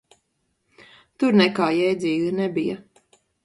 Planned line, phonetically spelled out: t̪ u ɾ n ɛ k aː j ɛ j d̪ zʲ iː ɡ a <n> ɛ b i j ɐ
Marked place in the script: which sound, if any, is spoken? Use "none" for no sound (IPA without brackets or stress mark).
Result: n